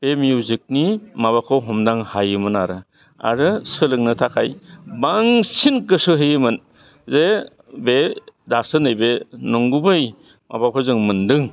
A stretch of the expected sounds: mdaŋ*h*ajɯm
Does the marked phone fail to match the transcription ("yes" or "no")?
no